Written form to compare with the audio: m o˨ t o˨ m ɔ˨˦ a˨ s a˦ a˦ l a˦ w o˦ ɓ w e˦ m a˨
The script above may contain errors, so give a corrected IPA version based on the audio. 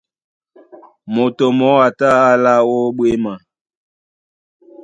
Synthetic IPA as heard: m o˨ t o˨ m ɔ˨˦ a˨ t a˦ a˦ l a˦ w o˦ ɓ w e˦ m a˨